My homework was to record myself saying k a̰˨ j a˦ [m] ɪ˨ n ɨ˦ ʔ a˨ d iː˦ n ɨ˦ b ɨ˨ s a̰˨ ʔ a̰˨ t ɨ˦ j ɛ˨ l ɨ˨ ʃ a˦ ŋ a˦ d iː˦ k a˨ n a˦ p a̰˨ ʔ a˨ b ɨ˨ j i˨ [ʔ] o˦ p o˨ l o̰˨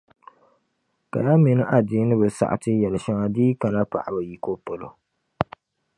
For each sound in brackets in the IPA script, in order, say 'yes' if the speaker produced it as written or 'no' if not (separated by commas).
yes, no